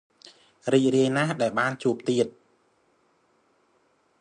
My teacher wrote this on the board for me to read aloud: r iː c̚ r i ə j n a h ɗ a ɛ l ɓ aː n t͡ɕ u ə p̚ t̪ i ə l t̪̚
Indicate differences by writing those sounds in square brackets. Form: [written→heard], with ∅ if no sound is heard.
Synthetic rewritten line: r iː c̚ r i ə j n a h ɗ a ɛ l ɓ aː n t͡ɕ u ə p̚ t̪ i ə [l→∅] t̪̚